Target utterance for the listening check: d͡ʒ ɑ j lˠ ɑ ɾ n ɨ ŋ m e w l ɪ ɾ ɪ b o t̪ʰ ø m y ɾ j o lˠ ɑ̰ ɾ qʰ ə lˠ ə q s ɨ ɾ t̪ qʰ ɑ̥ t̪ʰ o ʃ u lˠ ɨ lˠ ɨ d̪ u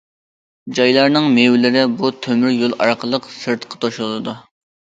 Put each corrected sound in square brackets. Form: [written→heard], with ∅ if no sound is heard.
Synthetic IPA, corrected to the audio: d͡ʒ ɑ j lˠ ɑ ɾ n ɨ ŋ m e w l ɪ ɾ ɪ b [o→u] t̪ʰ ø m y ɾ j o lˠ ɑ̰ ɾ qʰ ə lˠ ə q s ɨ ɾ t̪ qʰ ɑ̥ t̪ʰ o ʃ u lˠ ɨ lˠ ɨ d̪ u